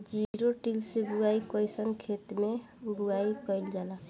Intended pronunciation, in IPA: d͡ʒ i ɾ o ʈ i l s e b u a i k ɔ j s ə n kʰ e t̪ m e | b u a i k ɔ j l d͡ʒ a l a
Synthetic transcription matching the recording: d͡ʒ i ɾ o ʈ i l s e b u a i k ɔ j s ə n kʰ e t̪ m e | b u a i k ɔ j l d͡ʒ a l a

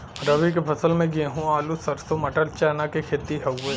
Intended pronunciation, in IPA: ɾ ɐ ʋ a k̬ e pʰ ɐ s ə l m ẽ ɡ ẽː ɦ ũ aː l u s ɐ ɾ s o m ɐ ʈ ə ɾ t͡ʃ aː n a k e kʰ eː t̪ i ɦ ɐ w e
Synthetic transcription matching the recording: ɾ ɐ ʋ i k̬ e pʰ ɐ s ə l m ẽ ɡ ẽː ɦ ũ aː l u s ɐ ɾ s o m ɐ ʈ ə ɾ t͡ʃ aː n a k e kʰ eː t̪ i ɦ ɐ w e

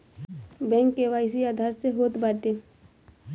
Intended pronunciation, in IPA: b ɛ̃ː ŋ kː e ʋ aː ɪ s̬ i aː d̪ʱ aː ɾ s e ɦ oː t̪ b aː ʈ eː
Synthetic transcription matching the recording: b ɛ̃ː ŋ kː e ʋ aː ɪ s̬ i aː d̪ʱ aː ɾ s e ɦ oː t̪ b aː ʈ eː

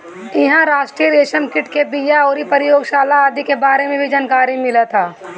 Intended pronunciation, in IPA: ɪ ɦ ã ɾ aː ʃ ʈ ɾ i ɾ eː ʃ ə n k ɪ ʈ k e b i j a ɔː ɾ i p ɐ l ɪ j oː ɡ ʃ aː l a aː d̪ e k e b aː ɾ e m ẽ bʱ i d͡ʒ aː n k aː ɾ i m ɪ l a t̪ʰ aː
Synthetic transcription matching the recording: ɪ ɦ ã ɾ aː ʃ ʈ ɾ i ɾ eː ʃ ə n k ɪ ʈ k e b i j a ɔː ɾ i p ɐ ɾ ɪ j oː ɡ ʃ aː l a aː d̪ i k e b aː ɾ e m ẽ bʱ i d͡ʒ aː n k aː ɾ i m ɪ l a t̪ʰ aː

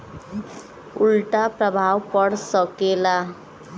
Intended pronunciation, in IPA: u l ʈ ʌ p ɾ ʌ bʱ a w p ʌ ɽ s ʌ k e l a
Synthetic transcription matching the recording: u l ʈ a p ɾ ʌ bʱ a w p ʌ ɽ s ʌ k e l a

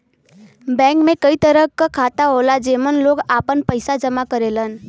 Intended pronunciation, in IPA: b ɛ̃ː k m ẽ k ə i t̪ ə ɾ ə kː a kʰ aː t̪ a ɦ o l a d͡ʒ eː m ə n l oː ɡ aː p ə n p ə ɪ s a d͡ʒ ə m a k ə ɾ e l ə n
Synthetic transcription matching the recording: b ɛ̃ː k m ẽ k ə i t̪ ə ɾ ə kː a kʰ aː t̪ a ɦ o l a d͡ʒ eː m ə n l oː ɡ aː p ə n p ə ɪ s a d͡ʒ ə m a k ə ɾ e l ə n

